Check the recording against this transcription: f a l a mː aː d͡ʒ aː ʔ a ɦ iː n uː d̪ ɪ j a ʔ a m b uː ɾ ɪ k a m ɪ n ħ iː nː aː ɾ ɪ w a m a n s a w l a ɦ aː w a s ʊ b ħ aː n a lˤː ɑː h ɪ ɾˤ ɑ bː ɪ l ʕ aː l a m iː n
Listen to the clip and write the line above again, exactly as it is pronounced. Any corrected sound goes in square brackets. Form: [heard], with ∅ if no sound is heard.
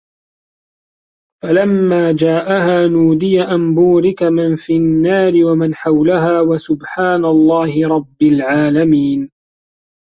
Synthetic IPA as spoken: f a l a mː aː d͡ʒ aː ʔ a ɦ [aː] n uː d̪ ɪ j a ʔ a m b uː ɾ ɪ k a m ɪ n [f] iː nː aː ɾ ɪ w a m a n [ħ] a w l a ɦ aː w a s ʊ b ħ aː n a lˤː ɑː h ɪ ɾˤ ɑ bː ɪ l ʕ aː l a m iː n